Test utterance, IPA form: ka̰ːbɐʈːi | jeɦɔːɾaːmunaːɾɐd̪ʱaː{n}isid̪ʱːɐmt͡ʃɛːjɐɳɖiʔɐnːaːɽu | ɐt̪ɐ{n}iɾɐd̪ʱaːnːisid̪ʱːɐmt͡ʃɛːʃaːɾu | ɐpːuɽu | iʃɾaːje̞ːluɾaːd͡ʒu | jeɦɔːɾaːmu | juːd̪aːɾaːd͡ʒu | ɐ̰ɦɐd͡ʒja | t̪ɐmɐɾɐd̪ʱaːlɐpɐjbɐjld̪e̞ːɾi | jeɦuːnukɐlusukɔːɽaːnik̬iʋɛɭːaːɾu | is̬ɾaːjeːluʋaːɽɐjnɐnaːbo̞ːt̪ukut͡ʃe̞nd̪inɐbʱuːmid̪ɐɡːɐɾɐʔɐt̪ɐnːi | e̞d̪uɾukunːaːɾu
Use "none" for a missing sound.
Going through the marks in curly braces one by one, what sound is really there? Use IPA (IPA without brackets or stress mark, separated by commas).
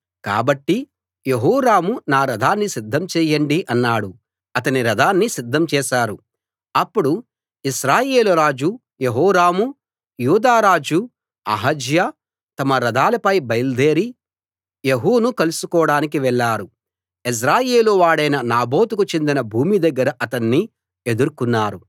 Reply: nː, n